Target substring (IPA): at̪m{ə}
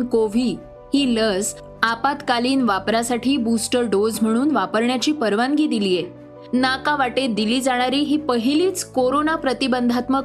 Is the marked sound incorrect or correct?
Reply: correct